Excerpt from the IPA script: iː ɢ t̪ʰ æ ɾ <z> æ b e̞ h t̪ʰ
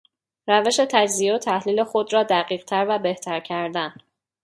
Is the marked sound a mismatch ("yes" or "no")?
yes